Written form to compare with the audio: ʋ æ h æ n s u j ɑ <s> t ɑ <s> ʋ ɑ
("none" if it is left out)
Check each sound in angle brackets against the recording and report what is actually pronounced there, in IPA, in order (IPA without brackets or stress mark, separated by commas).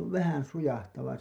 h, none